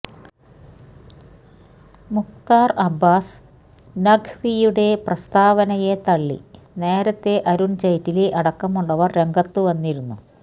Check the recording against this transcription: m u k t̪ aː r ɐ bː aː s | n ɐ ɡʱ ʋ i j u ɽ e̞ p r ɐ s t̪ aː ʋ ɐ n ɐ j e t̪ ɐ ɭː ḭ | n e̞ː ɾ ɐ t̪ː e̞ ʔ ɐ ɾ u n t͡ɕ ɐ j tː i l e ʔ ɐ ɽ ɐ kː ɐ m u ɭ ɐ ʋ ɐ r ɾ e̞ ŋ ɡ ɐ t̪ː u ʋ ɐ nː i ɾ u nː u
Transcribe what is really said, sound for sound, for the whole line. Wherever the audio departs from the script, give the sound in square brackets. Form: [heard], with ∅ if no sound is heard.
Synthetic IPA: m u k t̪ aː r ɐ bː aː s | n ɐ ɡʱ ʋ i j u ɽ e̞ p r ɐ s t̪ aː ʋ ɐ n ɐ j e t̪ ɐ ɭː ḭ | n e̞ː ɾ ɐ t̪ː e̞ ʔ ɐ ɾ u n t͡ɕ ɐ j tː i l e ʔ ɐ ɽ ɐ kː ɐ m u [ɭː] ɐ ʋ ɐ r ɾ e̞ ŋ ɡ ɐ t̪ː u ʋ ɐ nː i ɾ u nː u